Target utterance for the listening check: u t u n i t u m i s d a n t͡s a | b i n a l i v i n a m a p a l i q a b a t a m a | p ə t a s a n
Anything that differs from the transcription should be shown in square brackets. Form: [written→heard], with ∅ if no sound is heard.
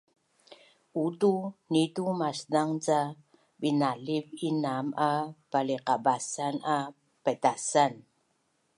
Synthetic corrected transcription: u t u n i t u m [i→a] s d a [n→ŋ] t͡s a | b i n a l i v i n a m a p a l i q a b a [t→s] a [m→n] a | p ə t a s a n